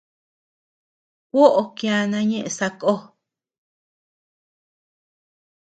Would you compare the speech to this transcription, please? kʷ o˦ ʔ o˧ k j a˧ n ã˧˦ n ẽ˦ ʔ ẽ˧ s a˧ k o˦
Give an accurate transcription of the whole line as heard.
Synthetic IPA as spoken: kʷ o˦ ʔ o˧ k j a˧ n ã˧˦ ɲ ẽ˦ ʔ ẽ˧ s a˧ k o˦